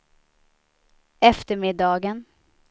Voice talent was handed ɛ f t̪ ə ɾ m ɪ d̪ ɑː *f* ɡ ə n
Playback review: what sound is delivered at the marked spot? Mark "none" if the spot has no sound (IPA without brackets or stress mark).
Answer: none